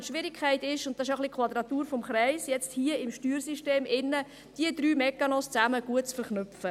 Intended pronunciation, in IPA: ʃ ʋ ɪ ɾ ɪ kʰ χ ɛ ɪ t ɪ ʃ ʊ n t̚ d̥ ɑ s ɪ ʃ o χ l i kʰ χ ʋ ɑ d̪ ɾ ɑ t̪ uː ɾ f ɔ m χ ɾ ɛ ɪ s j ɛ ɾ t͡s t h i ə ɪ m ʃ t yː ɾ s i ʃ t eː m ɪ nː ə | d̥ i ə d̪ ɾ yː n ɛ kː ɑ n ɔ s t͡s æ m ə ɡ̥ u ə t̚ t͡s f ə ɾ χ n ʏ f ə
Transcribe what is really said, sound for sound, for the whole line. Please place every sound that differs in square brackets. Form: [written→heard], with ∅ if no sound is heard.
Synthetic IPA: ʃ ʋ ɪ ɾ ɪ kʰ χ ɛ ɪ t ɪ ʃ ʊ n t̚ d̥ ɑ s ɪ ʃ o χ l i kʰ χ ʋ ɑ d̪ ɾ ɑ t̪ uː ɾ f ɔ m χ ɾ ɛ ɪ s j ɛ [ɾ→∅] t͡s t h i ə ɪ m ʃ t yː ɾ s i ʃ t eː m ɪ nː ə | d̥ i ə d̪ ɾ yː [n→m] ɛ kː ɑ n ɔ s t͡s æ m ə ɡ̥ u ə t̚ t͡s f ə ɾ χ n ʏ f ə